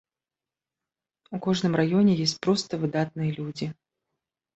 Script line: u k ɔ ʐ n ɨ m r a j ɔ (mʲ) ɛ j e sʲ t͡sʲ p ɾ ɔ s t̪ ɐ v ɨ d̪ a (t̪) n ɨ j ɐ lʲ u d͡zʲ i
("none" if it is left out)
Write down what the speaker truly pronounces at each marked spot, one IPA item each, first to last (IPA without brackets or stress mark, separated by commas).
nʲ, t̪